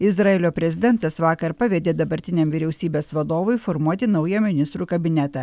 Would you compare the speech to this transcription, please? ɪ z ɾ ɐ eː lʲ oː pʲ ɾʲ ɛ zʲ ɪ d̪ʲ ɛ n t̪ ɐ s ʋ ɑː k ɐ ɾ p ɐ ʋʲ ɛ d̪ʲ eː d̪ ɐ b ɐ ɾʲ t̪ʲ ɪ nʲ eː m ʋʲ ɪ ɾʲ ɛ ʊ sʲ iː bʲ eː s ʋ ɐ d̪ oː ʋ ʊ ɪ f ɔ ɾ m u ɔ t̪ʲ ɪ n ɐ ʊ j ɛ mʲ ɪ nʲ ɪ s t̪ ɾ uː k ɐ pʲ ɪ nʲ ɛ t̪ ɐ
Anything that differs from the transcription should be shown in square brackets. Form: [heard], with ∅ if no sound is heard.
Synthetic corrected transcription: ɪ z ɾ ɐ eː lʲ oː pʲ ɾʲ ɛ zʲ ɪ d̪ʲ ɛ n t̪ ɐ s ʋ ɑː k ɐ ɾ p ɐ ʋʲ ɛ d̪ʲ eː d̪ ɐ b ɐ ɾʲ t̪ʲ ɪ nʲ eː m ʋʲ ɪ ɾʲ ɛ ʊ sʲ iː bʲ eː s ʋ ɐ d̪ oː ʋ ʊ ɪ f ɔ ɾ m u ɔ t̪ʲ ɪ n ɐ ʊ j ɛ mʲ ɪ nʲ ɪ s t̪ ɾ uː k ɐ [bʲ] ɪ nʲ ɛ t̪ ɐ